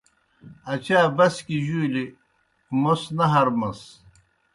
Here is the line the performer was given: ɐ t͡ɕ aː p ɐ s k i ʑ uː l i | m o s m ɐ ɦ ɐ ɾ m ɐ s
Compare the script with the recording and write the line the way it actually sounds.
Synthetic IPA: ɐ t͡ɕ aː b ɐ s k i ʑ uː l i | m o s n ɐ ɦ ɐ ɾ m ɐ s